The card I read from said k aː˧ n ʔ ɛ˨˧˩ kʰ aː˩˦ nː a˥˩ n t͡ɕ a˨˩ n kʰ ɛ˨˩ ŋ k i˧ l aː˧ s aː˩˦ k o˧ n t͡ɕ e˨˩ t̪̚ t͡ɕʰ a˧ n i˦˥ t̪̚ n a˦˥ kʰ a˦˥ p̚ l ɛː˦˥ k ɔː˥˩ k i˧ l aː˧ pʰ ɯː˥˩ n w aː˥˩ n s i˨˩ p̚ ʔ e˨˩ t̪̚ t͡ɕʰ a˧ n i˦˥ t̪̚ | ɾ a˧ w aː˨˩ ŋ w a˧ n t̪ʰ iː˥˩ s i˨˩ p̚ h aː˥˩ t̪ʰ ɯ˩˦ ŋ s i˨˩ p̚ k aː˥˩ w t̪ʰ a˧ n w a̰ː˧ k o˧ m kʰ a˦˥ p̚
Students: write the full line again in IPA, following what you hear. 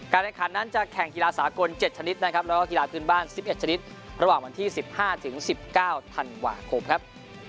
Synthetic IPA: k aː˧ n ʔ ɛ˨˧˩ kʰ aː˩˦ nː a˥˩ n t͡ɕ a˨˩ kʰ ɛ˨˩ ŋ k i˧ l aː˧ s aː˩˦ k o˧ n t͡ɕ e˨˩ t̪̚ t͡ɕʰ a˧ n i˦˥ t̪̚ n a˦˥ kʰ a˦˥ p̚ l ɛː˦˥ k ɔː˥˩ k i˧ l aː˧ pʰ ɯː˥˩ n b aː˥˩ n s i˨˩ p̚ ʔ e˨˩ t̪̚ t͡ɕʰ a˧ n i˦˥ t̪̚ | ɾ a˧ w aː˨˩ ŋ w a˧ n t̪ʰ iː˥˩ s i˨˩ p̚ h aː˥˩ t̪ʰ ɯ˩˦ ŋ s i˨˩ p̚ k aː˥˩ w t̪ʰ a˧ n w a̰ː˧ kʰ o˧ m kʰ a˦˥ p̚